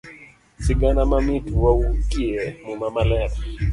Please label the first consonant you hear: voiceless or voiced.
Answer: voiceless